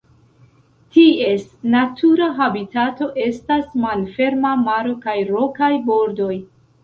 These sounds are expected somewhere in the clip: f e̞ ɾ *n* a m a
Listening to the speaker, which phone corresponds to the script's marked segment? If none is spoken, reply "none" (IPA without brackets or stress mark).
m